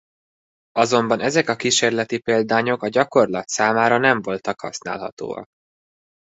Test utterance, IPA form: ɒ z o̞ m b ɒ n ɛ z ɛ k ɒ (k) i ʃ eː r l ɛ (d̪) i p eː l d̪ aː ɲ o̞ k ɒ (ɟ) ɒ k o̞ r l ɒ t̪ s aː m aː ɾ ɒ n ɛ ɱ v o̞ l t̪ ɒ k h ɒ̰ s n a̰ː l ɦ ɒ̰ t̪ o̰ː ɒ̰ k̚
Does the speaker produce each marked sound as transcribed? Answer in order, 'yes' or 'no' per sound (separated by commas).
yes, no, yes